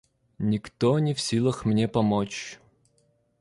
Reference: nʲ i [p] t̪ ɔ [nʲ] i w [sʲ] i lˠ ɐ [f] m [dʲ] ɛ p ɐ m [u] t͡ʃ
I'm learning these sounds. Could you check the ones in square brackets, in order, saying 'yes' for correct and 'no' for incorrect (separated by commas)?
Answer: no, yes, yes, no, no, no